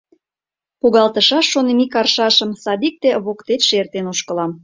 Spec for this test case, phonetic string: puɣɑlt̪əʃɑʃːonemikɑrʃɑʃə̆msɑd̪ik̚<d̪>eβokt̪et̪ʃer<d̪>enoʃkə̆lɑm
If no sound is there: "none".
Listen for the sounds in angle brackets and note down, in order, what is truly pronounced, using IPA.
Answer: t̪, t̪

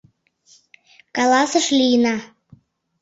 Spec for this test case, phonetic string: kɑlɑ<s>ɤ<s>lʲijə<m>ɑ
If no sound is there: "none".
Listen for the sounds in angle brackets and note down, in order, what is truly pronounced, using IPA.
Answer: s, ʃ, n

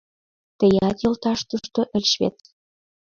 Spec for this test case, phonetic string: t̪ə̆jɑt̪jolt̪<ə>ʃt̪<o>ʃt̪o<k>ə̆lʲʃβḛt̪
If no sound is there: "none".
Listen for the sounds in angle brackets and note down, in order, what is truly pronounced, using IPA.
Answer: ɑ, u, ʔ

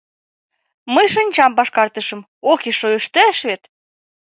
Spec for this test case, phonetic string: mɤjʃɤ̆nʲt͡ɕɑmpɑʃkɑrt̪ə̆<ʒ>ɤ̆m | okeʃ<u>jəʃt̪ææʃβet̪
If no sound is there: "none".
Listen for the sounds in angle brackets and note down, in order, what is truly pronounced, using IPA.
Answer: ʃ, o

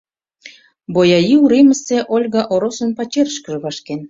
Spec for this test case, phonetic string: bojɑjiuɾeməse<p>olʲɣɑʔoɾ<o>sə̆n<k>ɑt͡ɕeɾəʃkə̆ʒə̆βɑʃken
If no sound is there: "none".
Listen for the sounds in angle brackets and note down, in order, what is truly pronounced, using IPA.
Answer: ʔ, o, p

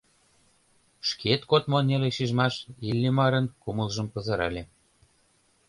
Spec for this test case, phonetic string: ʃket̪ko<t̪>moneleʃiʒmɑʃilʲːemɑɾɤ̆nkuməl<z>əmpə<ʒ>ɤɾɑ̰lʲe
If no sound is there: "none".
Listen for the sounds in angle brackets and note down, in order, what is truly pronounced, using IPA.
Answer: t̪, ʒ, z

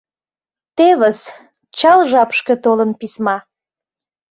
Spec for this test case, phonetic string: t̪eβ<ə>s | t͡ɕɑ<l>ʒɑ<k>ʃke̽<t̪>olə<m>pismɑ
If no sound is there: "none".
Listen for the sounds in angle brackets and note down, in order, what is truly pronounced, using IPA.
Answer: ə, l, p, t̪, n

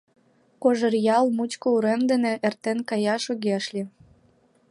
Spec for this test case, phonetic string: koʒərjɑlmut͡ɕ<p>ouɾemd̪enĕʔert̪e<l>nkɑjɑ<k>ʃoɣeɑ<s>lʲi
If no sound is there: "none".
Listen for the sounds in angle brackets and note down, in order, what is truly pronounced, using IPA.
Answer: k, none, none, ʃ

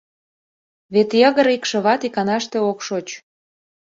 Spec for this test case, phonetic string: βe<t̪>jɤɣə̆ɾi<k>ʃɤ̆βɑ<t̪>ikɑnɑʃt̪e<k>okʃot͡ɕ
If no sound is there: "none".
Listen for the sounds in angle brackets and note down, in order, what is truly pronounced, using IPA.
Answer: t̪, k, t̪, none

